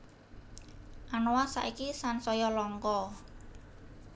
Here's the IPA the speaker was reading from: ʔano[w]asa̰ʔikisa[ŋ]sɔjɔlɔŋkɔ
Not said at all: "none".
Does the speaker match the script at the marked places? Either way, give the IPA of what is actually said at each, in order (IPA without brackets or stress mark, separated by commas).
w, n